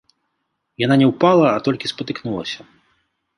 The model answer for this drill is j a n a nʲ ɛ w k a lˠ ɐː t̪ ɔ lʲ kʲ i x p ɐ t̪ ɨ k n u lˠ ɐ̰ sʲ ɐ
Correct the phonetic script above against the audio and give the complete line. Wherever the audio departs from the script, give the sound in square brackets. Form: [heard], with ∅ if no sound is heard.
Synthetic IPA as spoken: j a n a nʲ ɛ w [p] a lˠ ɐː t̪ ɔ lʲ kʲ i [s] p ɐ t̪ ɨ k n u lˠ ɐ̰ sʲ ɐ